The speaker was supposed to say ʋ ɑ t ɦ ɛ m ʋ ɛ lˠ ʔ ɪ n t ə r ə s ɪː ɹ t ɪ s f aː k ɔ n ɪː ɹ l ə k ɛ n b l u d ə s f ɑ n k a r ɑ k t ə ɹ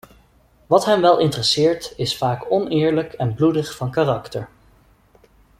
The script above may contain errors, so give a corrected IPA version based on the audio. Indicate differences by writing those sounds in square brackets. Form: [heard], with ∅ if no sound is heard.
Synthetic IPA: ʋ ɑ t ɦ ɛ m ʋ ɛ lˠ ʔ ɪ n t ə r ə s ɪː ɹ t ɪ s f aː k ɔ n ɪː ɹ l ə k ɛ n b l u d ə [χ] f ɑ n k a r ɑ k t ə ɹ